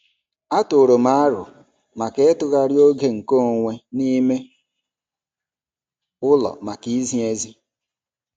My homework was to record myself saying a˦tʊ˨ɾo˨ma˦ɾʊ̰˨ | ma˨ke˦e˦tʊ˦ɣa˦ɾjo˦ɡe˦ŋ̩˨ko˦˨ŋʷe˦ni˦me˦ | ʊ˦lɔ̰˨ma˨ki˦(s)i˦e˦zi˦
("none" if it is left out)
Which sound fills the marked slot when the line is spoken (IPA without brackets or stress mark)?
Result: z